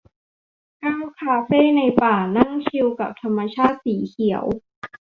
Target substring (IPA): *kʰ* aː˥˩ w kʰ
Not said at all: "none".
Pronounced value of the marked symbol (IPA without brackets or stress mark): k